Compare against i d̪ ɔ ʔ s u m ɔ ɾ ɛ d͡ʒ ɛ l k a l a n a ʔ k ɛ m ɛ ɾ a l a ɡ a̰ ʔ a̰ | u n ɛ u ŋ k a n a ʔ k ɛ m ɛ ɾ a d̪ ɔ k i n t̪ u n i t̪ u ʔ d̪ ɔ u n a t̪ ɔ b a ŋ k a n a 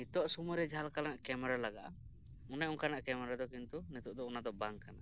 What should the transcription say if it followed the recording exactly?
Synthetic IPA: i t̪ ɔ ʔ s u m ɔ ɾ ɛ d͡ʒ a l k a l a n a ʔ k ɛ m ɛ ɾ a l a ɡ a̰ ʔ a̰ | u n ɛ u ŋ k a n a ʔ k ɛ m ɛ ɾ a d̪ ɔ k i n t̪ u n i t̪ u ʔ d̪ ɔ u n a d̪ ɔ b a ŋ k a n a